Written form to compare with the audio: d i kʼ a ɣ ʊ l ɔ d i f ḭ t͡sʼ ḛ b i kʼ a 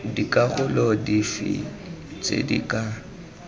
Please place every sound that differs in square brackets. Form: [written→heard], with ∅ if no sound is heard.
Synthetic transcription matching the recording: d i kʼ a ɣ ʊ l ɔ d i f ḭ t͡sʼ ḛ [b→d] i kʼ a